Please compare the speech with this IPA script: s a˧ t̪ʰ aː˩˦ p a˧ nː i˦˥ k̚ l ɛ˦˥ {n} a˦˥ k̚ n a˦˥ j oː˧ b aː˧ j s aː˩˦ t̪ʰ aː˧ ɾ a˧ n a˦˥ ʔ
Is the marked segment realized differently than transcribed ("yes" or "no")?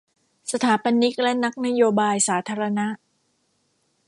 no